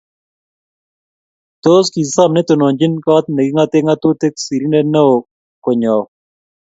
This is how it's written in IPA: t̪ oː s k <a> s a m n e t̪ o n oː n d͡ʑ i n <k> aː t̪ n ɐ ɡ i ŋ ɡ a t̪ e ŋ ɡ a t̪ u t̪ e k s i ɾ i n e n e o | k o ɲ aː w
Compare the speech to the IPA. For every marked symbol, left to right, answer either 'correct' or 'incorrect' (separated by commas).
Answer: incorrect, correct